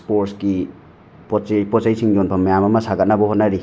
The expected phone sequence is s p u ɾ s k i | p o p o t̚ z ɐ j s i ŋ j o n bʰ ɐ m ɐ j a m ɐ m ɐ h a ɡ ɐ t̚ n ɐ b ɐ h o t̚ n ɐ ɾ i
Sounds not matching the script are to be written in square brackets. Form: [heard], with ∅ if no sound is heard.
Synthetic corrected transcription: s p [o] ɾ s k i | p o p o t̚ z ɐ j s i ŋ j o n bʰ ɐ m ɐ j a m ɐ m ɐ [s] a ɡ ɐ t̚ n ɐ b ɐ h o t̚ n ɐ ɾ i